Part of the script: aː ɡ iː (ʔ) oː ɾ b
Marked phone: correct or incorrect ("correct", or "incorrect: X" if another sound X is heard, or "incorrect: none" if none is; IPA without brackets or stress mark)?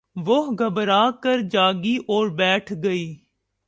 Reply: correct